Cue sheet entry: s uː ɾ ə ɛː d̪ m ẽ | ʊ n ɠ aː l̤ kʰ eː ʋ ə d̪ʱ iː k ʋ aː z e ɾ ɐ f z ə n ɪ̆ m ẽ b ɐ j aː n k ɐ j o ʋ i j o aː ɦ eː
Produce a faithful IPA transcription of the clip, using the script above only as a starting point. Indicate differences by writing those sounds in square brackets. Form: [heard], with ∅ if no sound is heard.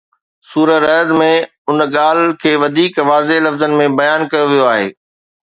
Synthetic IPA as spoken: s uː ɾ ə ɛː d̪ m ẽ | ʊ n ɠ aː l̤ kʰ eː ʋ [ɐ] d̪ʱ iː k ʋ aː z e [l] ɐ f z ə n ɪ̆ m ẽ b ɐ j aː n k ɐ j o ʋ i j o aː ɦ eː